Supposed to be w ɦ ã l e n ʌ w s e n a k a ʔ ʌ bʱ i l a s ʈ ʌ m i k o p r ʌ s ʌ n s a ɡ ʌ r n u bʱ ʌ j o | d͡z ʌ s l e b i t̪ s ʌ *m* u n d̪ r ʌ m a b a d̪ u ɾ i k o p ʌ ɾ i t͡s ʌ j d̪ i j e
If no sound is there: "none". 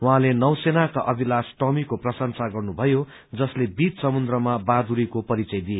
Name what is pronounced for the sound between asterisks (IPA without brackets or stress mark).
m